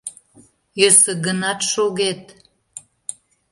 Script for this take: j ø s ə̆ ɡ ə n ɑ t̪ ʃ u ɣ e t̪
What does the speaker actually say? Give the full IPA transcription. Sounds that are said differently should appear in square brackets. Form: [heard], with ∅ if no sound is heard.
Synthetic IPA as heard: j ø s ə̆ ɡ ə n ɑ t̪ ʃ [o] ɣ e t̪

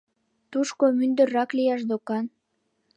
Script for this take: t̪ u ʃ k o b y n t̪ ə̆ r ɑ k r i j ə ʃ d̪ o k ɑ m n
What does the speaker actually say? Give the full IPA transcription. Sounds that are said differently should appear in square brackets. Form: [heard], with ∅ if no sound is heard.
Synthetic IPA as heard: t̪ u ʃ k o [m] y n [d̪] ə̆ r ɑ k [l] i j [ɑ] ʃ d̪ o k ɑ [∅] n

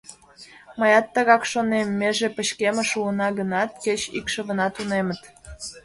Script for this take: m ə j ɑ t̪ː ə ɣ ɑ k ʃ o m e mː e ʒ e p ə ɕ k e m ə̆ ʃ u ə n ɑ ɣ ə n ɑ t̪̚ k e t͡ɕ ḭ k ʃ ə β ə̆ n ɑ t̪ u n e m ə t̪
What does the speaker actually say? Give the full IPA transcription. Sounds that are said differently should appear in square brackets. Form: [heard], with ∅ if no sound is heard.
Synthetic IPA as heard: m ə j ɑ t̪ː ə ɣ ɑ k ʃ o [n] e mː e ʒ e p ə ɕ k e m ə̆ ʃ u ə n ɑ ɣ ə n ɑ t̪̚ k e t͡ɕ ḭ k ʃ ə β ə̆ n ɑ t̪ u n e m ə t̪

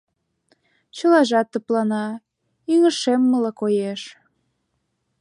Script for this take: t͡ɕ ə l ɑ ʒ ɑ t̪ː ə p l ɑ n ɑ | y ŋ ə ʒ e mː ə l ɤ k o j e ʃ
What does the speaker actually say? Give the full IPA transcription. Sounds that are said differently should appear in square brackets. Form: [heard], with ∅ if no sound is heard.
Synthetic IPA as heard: t͡ɕ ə l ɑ ʒ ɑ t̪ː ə p l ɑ n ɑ | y ŋ ə [ʃ] e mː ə l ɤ k o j e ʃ

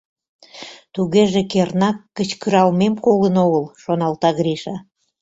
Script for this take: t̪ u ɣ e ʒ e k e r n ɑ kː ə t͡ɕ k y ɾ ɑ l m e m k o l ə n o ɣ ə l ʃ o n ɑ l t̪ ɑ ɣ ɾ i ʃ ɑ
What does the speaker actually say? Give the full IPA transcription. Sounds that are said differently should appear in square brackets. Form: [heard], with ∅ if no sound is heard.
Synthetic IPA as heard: t̪ u ɣ e ʒ e k e r n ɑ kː ə t͡ɕ k y ɾ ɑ l m e m k o l ə n o ɣ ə l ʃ o n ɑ l t̪ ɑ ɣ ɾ i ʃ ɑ

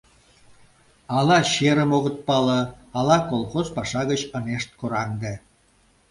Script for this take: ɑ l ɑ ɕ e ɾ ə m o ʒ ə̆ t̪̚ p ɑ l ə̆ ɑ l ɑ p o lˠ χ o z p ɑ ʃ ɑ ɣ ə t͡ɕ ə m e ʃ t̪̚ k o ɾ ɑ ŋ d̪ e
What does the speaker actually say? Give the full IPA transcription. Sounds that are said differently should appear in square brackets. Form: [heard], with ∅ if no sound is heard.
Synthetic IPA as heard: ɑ l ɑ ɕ e ɾ ə m o [ɣ] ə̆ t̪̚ p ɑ l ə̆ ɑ l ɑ [k] o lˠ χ o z p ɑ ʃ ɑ ɣ ə t͡ɕ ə [n] e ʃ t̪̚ k o ɾ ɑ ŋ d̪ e

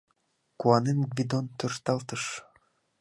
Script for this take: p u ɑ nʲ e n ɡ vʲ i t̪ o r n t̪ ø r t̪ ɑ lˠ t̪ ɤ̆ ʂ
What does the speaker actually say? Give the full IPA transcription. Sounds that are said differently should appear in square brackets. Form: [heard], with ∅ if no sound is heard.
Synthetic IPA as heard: [k] u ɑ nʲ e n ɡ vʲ i [d̪] o [∅] n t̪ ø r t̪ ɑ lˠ t̪ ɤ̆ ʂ

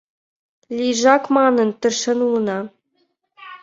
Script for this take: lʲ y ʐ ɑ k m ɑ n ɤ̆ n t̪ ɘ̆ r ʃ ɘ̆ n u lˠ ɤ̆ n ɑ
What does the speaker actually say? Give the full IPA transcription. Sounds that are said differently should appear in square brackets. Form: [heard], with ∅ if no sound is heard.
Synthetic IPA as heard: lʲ [i] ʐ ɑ k m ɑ n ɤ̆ n t̪ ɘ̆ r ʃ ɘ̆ n u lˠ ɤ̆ n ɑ

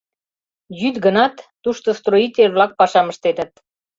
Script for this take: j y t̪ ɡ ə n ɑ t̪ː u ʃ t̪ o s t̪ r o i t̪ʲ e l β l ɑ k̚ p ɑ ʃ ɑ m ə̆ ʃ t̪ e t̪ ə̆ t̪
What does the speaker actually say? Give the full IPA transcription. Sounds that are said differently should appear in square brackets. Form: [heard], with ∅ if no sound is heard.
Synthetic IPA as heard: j y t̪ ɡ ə n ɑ t̪ː u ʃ t̪ o s t̪ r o i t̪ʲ e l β l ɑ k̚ p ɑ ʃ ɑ m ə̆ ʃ t̪ e t̪ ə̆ t̪

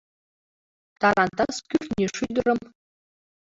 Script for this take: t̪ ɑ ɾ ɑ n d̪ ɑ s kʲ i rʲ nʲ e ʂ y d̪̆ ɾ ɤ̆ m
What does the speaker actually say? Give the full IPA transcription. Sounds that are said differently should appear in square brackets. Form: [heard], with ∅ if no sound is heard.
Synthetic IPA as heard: t̪ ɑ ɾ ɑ n [t̪] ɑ s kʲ [y] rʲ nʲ e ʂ y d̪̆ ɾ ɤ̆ m

